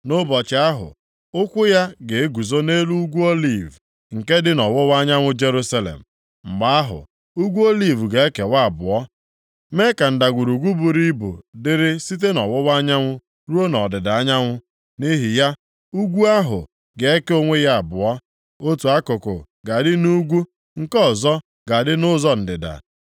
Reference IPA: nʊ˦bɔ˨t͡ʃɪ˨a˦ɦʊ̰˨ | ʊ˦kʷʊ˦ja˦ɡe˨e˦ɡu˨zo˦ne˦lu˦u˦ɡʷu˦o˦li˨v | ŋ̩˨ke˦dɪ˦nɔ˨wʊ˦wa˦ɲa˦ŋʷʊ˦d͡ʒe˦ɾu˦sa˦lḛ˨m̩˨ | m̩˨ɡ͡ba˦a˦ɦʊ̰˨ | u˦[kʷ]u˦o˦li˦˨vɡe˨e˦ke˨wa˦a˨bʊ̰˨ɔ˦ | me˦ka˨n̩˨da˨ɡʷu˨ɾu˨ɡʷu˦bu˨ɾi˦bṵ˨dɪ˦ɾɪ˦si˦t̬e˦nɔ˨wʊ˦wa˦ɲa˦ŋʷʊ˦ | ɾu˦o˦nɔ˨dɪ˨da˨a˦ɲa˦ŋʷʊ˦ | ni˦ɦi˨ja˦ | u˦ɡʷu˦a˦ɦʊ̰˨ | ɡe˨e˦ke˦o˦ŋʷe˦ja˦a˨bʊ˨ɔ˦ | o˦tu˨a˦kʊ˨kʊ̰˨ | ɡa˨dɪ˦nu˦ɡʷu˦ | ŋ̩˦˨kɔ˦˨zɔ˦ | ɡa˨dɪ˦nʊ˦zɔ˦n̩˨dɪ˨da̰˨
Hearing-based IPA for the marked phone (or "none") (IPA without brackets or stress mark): ɡʷ